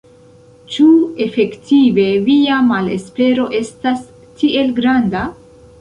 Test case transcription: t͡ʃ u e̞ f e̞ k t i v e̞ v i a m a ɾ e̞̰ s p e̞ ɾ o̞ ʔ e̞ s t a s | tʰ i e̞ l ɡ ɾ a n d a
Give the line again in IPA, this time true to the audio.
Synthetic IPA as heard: t͡ʃ u e̞ f e̞ k t i v e̞ v i a m a l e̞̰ s p e̞ ɾ o̞ ʔ e̞ s t a s | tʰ i e̞ l ɡ ɾ a n d a